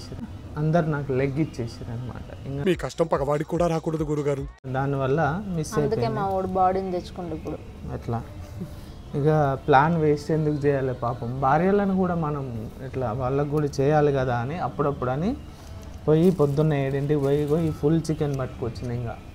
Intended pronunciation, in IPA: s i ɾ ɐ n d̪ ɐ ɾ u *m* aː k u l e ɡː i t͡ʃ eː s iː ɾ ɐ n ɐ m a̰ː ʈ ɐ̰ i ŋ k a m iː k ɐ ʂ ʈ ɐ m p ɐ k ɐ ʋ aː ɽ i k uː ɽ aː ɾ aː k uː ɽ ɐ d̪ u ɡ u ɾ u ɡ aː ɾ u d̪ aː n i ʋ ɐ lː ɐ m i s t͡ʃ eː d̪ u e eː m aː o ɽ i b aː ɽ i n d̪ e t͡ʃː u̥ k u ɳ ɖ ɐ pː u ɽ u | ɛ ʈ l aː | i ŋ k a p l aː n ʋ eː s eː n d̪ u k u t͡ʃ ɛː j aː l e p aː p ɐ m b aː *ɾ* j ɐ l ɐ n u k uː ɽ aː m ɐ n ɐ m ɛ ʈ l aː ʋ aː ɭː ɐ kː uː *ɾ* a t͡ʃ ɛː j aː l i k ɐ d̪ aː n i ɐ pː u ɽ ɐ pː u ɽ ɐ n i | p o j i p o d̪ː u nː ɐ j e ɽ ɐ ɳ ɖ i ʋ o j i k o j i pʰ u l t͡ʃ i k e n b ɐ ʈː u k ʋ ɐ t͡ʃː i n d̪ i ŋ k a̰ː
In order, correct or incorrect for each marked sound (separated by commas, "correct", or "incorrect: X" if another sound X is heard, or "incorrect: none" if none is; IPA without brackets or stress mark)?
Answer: incorrect: n, correct, incorrect: ɽ